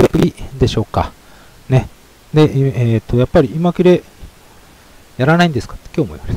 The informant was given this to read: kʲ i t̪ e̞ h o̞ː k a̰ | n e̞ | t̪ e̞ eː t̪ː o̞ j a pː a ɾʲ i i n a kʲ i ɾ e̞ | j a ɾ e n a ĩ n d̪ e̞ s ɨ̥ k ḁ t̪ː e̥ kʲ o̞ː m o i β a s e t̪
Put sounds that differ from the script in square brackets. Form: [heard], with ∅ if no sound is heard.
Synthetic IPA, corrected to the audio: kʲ i [d̪] e̞ [ɕ] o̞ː k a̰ | n e̞ | [d̪] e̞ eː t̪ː o̞ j a pː a ɾʲ i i [m] a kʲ i ɾ e̞ | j a ɾ [a] n a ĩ n d̪ e̞ s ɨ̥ k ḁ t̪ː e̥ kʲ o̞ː m o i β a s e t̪